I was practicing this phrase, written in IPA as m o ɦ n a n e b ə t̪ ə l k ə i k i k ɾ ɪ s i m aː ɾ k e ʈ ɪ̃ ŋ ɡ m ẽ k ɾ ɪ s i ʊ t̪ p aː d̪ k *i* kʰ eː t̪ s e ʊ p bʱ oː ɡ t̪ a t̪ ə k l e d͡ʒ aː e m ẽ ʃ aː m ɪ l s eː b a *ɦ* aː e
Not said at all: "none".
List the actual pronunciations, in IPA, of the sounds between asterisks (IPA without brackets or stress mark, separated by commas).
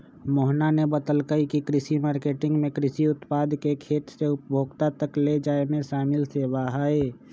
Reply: e, ɦ